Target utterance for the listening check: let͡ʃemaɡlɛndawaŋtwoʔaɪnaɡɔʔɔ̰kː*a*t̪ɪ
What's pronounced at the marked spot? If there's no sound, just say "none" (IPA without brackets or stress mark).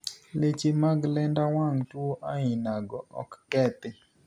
ɛ